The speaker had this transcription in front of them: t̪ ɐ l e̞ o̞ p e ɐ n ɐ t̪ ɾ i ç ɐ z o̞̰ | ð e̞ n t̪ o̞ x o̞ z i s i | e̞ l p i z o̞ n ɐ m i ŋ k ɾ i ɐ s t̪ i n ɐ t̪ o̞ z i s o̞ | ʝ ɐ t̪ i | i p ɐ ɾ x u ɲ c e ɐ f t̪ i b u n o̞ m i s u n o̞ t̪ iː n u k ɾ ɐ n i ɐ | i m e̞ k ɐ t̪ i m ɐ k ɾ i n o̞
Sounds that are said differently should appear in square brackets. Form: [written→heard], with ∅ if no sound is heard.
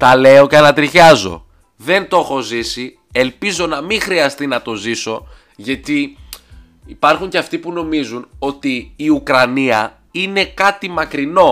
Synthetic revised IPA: t̪ ɐ l e̞ o̞ [p→c] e ɐ n ɐ t̪ ɾ i ç ɐ z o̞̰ | ð e̞ n t̪ o̞ x o̞ z i s i | e̞ l p i z o̞ n ɐ m i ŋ [k→x] ɾ i ɐ s t̪ i n ɐ t̪ o̞ z i s o̞ | ʝ ɐ t̪ i | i p ɐ ɾ x u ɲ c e ɐ f t̪ i [b→p] u n o̞ m i [s→z] u n o̞ t̪ iː [n→∅] u k ɾ ɐ n i ɐ | i [m→n] e̞ k ɐ t̪ i m ɐ k ɾ i n o̞